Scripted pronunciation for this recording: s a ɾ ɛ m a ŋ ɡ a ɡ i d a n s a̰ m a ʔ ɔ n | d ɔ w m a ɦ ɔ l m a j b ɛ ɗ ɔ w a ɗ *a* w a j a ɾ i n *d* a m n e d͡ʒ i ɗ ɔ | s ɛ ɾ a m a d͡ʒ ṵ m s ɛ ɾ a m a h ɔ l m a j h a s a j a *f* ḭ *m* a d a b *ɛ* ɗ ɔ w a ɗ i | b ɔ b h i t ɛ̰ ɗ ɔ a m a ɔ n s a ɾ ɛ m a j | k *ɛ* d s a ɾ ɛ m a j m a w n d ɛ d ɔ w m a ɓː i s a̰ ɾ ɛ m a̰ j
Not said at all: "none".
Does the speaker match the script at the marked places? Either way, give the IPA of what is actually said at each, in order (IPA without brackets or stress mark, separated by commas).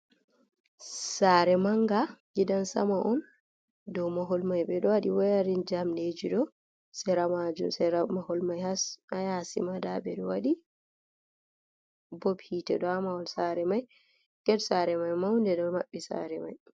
i, d͡ʒ, s, m, ɛ, ɛ